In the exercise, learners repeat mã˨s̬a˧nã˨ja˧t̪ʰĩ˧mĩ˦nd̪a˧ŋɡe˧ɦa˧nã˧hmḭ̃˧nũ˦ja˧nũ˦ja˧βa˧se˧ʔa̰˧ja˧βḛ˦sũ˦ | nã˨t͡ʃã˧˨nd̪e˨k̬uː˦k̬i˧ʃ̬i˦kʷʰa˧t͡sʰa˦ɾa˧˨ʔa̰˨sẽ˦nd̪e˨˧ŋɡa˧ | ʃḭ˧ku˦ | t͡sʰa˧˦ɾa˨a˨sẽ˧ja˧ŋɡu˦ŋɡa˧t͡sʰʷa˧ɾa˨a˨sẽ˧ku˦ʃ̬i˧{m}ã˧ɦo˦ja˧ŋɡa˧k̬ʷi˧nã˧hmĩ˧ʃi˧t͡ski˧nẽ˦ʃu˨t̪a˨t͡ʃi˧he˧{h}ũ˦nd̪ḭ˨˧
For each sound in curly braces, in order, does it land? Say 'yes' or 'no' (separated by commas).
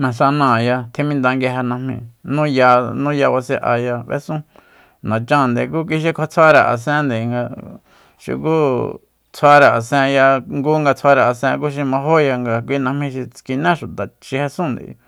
yes, no